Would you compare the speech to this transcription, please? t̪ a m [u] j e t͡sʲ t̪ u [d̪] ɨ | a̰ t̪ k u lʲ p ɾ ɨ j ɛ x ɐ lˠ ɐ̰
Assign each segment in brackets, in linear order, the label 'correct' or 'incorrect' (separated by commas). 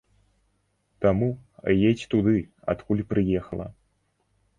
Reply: correct, correct